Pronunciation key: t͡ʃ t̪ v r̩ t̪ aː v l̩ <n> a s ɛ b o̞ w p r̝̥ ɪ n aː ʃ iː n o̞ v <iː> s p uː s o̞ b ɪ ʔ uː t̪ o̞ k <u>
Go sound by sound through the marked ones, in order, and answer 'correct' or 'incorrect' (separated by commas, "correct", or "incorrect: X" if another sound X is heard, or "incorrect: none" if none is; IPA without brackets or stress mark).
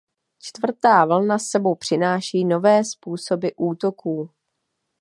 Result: correct, incorrect: ɛː, incorrect: uː